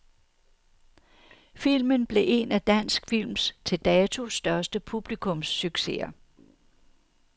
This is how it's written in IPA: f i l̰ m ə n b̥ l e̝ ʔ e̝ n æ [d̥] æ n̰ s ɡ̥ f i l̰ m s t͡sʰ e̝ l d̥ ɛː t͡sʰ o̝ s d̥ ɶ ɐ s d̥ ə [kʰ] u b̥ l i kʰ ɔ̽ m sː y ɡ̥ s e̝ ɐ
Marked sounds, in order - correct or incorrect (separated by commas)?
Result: correct, incorrect